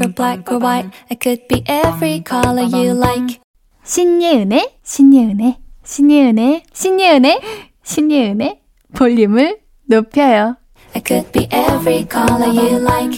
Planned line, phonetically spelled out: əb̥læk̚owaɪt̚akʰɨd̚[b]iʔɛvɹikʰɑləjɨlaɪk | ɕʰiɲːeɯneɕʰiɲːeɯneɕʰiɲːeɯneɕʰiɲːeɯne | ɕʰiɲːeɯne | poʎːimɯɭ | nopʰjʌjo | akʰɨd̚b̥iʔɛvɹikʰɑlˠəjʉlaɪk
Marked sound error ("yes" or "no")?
no